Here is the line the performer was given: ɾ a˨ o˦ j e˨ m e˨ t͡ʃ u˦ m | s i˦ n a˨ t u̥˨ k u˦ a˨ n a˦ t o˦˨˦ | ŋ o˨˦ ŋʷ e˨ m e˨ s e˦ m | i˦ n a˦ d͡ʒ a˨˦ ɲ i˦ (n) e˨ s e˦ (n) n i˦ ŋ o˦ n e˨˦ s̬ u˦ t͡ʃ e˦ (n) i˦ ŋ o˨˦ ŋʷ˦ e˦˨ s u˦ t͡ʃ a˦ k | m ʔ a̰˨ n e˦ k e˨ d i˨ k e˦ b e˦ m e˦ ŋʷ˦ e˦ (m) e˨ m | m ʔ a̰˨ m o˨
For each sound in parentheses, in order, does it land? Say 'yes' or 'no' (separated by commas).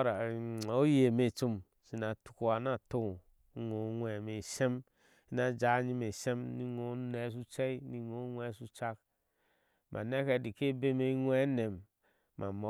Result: no, no, yes, no